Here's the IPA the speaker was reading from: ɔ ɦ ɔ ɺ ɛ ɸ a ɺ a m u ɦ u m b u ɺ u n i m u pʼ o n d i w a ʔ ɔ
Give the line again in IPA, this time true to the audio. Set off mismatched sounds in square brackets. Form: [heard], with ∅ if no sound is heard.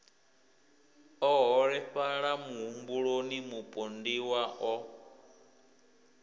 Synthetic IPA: ɔ ɦ ɔ ɺ ɛ ɸ a ɺ a m u ɦ u m b u ɺ [o] n i m u pʼ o n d i w a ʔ ɔ